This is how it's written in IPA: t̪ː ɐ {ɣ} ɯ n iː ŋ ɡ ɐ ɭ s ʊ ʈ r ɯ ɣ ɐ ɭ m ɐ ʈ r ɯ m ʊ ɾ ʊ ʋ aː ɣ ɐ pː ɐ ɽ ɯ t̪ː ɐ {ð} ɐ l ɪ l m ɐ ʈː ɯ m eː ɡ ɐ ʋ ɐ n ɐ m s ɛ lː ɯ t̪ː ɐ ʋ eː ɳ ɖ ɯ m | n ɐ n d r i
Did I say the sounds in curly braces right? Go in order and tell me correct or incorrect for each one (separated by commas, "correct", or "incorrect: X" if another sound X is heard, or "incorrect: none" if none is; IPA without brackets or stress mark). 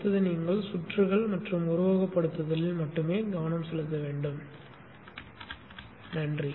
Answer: incorrect: ð, correct